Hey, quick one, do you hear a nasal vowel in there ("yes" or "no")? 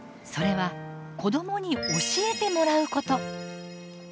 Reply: no